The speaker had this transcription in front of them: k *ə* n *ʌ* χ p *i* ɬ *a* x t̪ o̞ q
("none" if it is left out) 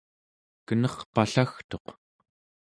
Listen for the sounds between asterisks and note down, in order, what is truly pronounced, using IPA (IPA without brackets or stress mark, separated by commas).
ə, ʌ, a, a